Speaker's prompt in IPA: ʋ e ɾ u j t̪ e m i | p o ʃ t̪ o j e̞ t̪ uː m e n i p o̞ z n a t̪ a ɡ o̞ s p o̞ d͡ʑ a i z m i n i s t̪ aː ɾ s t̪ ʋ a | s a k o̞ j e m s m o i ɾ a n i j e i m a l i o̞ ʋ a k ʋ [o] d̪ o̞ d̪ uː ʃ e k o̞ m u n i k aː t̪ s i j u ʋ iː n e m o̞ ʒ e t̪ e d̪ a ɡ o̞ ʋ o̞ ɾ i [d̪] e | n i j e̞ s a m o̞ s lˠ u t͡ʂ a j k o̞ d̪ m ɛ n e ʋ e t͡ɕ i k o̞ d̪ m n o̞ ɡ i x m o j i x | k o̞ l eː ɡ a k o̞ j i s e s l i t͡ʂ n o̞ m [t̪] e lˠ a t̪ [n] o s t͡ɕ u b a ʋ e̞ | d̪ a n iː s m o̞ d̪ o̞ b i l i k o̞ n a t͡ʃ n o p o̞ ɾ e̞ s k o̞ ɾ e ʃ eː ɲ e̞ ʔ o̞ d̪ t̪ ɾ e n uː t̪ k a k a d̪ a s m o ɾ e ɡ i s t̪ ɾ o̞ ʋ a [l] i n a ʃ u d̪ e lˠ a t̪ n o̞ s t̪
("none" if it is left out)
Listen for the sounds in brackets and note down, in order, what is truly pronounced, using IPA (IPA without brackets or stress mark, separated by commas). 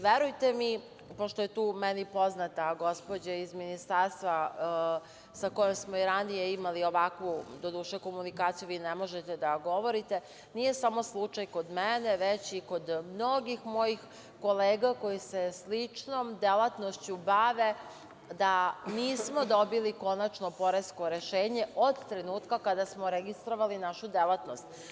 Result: u, t̪, d̪, n, l